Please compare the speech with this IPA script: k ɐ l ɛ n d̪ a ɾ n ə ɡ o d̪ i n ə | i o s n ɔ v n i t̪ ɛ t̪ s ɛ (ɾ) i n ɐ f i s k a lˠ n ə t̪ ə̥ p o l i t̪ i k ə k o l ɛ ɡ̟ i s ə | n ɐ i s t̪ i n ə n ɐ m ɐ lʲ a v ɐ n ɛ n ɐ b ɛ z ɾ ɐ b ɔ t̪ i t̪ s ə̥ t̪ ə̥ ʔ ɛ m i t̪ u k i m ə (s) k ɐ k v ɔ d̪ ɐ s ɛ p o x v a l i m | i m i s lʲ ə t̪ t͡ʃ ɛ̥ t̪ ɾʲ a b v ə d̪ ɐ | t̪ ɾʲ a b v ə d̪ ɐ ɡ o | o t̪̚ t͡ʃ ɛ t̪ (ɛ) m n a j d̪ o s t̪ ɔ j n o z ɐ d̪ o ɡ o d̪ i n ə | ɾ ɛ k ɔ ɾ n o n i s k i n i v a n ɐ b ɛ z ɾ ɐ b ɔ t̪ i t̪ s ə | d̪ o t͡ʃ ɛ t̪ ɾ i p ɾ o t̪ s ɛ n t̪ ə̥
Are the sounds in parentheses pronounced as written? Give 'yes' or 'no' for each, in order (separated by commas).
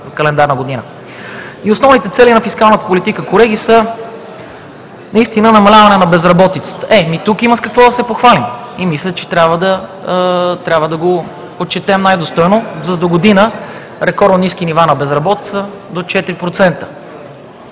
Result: no, yes, yes